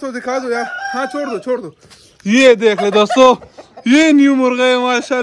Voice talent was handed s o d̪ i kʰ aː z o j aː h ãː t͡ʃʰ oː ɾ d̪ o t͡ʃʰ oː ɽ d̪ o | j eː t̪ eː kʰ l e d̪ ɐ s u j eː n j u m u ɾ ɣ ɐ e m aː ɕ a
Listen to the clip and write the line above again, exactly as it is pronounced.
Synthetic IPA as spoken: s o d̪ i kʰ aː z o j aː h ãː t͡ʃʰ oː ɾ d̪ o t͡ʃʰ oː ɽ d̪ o | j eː d̪ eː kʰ l e d̪ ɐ s o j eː n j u m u ɾ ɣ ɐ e m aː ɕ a